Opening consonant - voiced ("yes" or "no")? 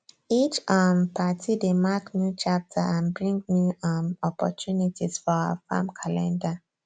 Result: no